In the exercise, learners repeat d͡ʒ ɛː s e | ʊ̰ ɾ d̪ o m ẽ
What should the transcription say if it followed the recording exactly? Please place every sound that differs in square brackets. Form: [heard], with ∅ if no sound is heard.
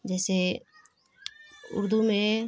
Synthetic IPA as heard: d͡ʒ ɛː s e | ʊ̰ ɾ d̪ [u] m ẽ